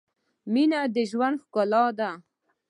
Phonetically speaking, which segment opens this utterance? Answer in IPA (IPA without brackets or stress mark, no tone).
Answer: m